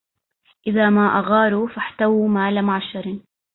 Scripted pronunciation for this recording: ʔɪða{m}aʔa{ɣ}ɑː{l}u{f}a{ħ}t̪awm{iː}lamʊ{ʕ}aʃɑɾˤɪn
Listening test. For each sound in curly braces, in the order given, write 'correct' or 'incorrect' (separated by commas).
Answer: correct, correct, incorrect, correct, correct, incorrect, correct